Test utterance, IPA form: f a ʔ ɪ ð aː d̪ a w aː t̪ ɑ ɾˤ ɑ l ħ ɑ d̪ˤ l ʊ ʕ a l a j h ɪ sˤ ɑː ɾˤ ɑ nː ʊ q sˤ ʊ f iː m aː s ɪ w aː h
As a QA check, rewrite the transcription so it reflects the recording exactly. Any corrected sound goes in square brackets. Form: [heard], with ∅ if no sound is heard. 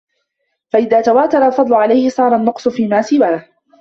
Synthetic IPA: f a ʔ ɪ ð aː [t̪] a w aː t̪ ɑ ɾˤ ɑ l [f] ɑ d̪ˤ l ʊ ʕ a l a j h ɪ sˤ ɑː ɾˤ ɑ nː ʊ q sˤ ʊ f iː m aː s ɪ w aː h